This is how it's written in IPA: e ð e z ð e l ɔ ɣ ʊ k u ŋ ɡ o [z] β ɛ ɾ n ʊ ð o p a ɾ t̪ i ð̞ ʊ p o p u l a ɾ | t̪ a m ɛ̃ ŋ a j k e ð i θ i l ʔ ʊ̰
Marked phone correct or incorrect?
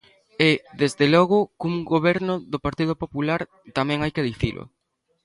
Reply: incorrect